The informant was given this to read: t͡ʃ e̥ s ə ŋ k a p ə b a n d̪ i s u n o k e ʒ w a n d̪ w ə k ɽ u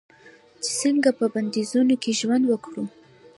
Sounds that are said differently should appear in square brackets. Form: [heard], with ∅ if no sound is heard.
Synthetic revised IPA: t͡ʃ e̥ s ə ŋ [ɡ] a p ə b a n d̪ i [z] u n o k e ʒ w a n d̪ w ə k ɽ u